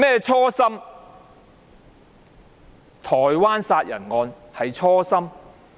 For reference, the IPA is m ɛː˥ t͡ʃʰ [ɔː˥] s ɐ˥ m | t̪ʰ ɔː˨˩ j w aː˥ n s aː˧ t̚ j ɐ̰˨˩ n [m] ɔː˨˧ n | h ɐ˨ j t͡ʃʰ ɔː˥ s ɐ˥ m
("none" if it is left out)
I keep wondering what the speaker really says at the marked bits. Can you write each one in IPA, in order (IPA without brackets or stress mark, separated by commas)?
ɔː˥, ŋ